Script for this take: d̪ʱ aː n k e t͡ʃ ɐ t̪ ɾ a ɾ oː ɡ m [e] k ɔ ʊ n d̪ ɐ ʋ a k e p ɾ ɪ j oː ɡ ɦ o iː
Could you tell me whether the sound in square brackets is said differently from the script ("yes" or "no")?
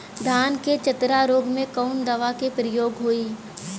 yes